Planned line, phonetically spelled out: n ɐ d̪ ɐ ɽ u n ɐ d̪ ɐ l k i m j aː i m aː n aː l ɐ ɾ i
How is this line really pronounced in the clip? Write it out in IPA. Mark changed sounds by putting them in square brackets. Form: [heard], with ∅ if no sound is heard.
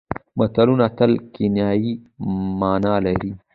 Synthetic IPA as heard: [m] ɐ [t̪] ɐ [l] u n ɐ [t̪] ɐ l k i [n] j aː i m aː n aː l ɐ ɾ i